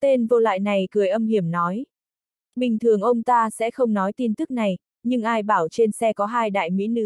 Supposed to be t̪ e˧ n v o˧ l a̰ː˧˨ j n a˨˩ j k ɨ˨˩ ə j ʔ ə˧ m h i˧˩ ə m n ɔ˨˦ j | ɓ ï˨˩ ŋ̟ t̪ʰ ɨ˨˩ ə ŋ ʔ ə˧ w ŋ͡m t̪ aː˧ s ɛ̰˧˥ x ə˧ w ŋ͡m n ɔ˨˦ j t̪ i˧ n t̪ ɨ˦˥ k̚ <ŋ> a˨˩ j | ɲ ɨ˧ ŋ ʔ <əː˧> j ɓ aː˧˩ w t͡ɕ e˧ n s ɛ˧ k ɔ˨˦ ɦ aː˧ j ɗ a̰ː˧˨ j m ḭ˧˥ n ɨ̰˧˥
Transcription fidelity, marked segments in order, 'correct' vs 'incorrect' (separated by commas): incorrect, incorrect